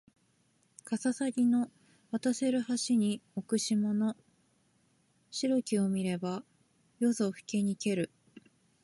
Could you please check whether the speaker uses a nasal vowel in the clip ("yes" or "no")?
no